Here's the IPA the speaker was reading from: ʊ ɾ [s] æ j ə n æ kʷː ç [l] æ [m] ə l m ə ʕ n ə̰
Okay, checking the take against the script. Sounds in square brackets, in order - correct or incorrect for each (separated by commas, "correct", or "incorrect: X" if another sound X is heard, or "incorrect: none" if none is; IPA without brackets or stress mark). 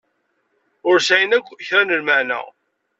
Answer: correct, incorrect: ɾ, incorrect: n